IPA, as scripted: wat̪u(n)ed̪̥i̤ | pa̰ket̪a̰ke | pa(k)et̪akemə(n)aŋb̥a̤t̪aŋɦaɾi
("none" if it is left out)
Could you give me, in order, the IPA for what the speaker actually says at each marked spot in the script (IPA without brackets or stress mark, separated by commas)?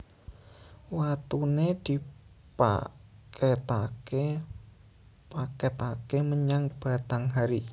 n, k, ɲ